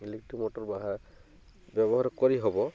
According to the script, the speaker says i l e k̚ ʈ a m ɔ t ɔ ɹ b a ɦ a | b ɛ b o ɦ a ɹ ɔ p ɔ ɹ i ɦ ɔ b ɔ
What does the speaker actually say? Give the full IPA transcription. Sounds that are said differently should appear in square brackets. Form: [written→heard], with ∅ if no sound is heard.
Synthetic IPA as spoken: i l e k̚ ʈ [a→i] m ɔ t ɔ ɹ b a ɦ a | b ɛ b [o→ɔ] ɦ a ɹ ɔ [p→k] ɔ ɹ i ɦ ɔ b ɔ